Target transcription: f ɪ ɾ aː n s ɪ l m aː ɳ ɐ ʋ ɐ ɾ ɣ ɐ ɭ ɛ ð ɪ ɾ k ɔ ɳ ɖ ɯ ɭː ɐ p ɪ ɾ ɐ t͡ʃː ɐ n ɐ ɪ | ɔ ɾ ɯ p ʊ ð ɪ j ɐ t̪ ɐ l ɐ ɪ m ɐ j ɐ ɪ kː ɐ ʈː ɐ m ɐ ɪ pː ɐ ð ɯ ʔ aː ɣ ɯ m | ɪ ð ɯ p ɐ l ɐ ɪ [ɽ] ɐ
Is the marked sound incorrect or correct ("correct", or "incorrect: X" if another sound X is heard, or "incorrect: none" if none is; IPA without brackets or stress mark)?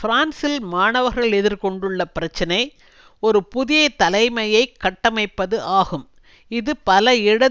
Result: correct